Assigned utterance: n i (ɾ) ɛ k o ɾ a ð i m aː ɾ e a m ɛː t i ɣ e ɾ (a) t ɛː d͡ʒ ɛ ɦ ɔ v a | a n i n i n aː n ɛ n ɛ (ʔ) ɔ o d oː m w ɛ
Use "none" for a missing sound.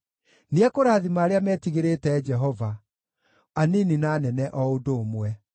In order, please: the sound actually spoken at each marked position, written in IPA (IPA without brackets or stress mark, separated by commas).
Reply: none, e, ʔ